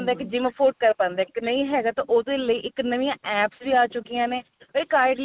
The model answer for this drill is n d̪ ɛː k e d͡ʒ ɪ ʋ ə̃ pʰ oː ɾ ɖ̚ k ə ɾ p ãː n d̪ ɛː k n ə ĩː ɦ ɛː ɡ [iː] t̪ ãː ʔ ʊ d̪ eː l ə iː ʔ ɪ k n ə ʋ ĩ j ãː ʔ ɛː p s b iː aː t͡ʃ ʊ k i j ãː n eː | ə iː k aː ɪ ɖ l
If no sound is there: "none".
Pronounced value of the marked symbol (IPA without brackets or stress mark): aː